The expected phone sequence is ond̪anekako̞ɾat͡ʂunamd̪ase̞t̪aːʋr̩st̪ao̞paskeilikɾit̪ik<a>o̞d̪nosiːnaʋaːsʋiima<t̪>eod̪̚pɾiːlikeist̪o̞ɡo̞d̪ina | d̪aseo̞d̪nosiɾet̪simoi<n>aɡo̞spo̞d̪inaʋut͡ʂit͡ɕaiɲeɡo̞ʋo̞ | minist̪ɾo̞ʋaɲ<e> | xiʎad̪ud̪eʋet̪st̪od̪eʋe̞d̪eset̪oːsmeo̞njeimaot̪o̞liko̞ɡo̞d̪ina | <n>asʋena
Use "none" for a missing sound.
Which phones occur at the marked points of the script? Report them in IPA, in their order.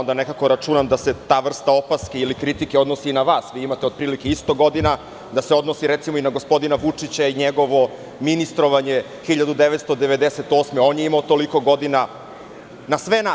e, t̪, n, e, n

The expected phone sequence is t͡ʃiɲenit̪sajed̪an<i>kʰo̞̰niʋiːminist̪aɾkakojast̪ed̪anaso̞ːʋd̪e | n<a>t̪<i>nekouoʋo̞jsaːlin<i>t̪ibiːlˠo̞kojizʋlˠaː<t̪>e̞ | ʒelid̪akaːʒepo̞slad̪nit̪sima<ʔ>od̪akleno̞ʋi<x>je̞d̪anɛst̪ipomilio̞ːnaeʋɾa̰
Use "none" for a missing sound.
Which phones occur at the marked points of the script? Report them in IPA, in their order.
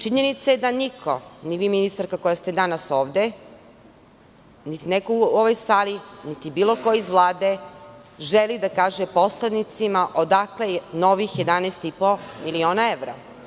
i, i, i, i, d̪, ʔ, x

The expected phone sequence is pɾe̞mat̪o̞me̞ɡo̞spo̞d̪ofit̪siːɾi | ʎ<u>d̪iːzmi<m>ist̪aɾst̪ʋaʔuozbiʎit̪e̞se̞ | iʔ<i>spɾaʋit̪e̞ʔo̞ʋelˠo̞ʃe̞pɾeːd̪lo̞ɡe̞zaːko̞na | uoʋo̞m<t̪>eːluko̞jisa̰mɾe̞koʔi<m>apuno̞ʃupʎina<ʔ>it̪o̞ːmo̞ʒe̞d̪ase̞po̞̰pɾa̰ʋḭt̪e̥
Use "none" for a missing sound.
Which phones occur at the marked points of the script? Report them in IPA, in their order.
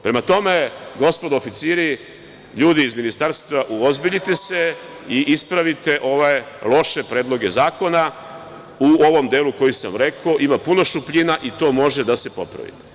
uː, n, i, d̪, m, ʔ

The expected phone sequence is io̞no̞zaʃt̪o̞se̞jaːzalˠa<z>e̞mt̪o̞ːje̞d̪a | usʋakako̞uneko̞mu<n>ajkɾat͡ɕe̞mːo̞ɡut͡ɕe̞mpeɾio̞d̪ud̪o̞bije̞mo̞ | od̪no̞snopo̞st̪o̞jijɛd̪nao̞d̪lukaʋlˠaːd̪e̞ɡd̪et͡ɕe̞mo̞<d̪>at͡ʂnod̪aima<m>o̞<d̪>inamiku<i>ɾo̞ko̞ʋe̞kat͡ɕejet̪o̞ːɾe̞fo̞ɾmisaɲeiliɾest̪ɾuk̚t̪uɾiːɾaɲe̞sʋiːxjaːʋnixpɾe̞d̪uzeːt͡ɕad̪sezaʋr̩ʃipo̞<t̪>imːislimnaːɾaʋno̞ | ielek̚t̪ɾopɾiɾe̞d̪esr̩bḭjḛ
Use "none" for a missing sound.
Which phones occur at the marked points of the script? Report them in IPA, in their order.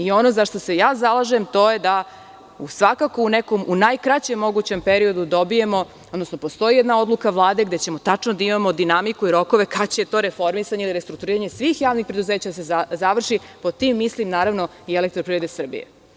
ʒ, n, t̪, m, d̪, i, t̪

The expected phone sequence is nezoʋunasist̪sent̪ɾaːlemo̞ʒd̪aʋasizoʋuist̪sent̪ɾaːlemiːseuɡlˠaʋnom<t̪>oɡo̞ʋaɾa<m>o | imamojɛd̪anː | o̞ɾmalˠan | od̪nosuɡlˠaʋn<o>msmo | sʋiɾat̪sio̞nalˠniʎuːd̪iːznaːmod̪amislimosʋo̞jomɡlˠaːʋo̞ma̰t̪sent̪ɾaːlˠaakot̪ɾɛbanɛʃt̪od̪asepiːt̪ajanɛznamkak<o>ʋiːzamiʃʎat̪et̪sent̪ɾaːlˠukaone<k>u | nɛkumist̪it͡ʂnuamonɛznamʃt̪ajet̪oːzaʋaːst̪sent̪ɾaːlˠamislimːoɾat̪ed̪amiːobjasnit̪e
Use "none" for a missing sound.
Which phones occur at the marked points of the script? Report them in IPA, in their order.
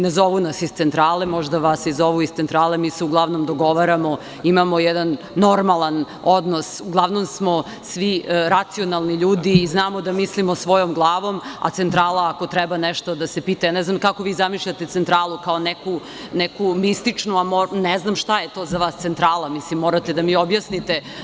d̪, m, o, o, k

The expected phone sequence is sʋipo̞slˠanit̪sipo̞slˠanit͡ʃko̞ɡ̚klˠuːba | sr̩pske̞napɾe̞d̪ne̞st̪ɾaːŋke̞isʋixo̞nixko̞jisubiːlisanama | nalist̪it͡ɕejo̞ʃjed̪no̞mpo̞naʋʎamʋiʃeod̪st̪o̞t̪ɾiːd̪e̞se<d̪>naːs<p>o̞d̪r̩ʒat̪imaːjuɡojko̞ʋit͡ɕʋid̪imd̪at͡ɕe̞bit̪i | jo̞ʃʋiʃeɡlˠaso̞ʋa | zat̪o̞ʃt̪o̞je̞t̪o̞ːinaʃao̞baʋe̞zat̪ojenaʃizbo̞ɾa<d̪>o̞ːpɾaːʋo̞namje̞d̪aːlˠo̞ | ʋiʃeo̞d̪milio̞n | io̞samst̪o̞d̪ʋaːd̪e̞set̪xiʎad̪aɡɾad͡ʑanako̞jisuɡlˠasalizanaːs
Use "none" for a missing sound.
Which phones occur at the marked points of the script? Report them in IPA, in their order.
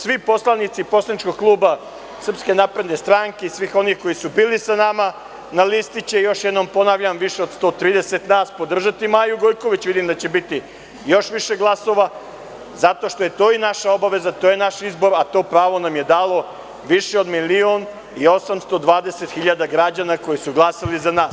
t̪, p, t̪

